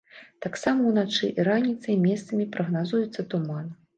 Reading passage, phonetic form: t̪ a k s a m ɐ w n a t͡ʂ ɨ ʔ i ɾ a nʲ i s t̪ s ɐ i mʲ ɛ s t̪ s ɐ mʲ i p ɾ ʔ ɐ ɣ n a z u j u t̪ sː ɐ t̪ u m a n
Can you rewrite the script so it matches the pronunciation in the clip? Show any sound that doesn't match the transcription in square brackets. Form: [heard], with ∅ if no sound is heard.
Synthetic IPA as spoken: t̪ a k s a m ɐ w n a t͡ʂ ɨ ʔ i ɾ a nʲ i [∅] t̪ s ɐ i mʲ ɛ s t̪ s ɐ mʲ i p ɾ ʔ ɐ ɣ n a z u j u t̪ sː ɐ t̪ u m a n